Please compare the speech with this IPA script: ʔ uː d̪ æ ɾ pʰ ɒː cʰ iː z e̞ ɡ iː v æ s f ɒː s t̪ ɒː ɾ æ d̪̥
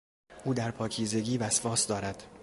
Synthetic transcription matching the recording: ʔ uː d̪ æ ɾ pʰ ɒː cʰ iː z e̞ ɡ iː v æ s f ɒː s d̪ ɒː ɾ æ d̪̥